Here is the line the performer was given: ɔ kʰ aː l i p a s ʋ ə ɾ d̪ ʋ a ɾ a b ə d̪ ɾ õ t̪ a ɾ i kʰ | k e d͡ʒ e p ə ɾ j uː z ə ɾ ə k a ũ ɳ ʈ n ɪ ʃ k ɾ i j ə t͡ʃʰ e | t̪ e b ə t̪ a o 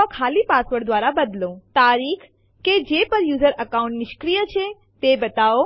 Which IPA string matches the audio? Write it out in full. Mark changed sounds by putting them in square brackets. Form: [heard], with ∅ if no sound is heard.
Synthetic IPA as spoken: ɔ kʰ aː l i p a s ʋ ə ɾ d̪ ʋ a ɾ a b ə d̪ [l] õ t̪ a ɾ i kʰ | k e d͡ʒ e p ə ɾ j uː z ə ɾ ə k a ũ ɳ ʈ n ɪ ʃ k ɾ i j ə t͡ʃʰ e | t̪ e b ə t̪ a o